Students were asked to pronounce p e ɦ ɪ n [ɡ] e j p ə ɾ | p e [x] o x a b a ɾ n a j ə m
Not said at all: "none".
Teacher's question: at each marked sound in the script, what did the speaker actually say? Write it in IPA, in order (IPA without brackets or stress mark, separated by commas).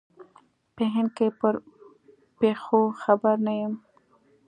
k, x